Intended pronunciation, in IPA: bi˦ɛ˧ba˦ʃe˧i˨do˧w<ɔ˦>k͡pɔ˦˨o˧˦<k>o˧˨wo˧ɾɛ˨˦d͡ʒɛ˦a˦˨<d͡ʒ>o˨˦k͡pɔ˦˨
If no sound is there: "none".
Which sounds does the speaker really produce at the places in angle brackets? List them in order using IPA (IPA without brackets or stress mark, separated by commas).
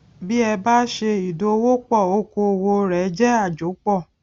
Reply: o˦, k, d͡ʒ